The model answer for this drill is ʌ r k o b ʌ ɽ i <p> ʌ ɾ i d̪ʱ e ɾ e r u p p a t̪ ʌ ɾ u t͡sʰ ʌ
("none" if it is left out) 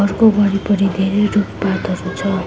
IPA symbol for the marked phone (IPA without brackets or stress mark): p